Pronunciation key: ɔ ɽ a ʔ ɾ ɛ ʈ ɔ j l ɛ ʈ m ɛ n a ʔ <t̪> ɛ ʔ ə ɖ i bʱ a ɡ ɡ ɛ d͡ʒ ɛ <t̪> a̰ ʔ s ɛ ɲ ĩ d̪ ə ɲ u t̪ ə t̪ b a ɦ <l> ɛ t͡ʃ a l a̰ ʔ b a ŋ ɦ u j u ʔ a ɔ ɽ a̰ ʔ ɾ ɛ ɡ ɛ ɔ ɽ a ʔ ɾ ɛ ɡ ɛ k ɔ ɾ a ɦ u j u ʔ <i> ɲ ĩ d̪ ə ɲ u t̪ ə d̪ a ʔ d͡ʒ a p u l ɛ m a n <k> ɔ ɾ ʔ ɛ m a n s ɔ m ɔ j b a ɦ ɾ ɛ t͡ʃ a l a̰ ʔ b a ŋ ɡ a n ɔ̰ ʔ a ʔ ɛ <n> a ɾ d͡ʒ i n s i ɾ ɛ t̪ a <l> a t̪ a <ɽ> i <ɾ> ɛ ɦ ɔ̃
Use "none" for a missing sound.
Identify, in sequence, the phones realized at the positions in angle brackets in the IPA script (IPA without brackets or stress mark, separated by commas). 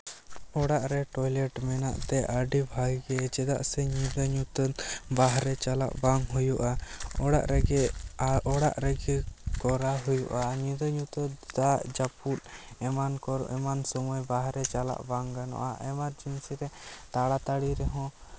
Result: t̪, d̪, ɾ, a, k, m, ɽ, ɽ, ɾ